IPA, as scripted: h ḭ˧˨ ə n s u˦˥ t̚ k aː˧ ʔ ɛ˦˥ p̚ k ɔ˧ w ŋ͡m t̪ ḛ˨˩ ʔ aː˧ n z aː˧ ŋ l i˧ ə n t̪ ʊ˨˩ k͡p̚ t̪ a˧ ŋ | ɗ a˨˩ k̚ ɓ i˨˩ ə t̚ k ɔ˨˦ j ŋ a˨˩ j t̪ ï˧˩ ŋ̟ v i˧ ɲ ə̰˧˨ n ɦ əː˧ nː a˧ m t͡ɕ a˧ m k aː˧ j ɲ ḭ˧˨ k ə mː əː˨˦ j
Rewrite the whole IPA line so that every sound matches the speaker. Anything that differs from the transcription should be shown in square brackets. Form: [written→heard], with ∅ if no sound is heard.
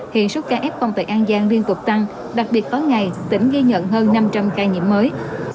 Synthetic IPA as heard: h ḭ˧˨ ə n s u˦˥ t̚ k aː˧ ʔ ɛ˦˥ p̚ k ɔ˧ w ŋ͡m t̪ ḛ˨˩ ʔ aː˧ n z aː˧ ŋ l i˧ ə n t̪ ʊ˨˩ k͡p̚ t̪ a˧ ŋ | ɗ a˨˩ k̚ ɓ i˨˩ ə t̚ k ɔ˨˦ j ŋ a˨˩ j t̪ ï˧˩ ŋ̟ [v→ɣ] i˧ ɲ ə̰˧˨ n ɦ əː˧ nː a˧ m t͡ɕ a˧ m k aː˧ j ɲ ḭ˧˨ [k→∅] ə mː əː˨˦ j